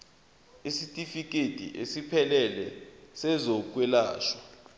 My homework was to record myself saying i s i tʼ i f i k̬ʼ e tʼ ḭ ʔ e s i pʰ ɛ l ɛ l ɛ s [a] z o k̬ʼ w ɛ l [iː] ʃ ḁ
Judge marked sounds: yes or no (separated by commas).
no, no